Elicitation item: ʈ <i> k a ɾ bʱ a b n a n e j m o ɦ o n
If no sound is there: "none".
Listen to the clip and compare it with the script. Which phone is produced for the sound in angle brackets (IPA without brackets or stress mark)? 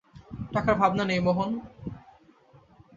a